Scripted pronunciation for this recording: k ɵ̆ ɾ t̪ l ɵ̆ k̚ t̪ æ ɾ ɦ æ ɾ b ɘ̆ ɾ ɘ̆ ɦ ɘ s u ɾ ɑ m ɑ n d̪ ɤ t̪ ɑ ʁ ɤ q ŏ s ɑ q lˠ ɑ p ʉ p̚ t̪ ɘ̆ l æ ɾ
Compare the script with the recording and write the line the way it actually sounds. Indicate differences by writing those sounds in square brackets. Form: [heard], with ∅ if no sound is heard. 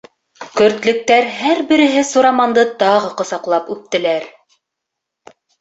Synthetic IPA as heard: k ɵ̆ ɾ t̪ l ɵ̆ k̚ t̪ æ ɾ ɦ æ ɾ b ɘ̆ ɾ ɘ̆ ɦ ɘ s u ɾ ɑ m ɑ n d̪ ɤ t̪ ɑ ʁ ɤ q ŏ s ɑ q lˠ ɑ p ʉ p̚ t̪ ɘ̆ l æ ɾ